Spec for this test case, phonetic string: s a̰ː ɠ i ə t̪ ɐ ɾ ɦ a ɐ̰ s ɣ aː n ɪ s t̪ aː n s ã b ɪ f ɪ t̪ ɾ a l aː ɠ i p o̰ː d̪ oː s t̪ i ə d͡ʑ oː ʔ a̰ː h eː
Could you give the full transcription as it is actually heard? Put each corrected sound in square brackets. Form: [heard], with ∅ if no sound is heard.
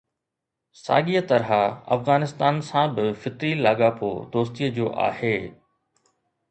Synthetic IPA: s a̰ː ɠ i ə t̪ ɐ ɾ ɦ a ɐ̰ [f] ɣ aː n ɪ s t̪ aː n s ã b ɪ f ɪ t̪ ɾ [i] l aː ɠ [a] p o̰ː d̪ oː s t̪ i ə d͡ʑ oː ʔ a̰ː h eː